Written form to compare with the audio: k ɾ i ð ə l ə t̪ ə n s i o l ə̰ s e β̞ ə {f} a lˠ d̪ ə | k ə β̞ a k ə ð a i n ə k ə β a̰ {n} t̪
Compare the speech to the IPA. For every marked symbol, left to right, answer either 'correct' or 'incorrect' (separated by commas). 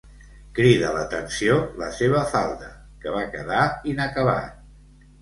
correct, incorrect